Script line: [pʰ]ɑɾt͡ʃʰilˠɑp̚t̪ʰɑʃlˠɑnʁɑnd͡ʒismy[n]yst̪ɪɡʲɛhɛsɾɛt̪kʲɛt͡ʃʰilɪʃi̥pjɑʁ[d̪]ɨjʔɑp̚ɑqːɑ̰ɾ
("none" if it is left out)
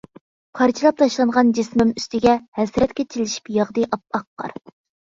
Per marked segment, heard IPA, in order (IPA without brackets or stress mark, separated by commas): pʰ, m, d̪